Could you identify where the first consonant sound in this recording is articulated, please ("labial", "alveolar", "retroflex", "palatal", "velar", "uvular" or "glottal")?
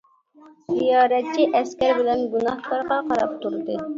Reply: alveolar